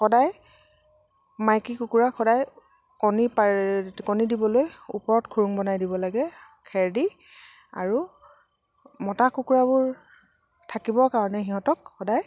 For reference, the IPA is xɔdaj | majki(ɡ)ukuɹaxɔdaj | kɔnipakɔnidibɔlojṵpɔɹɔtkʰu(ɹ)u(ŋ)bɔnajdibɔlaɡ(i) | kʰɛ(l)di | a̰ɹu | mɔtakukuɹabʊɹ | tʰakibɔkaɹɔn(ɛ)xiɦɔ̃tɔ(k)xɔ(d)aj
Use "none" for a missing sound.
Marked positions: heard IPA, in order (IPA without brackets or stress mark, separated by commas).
k, ɹ, ŋ, ɛ, ɹ, ɛ, k, d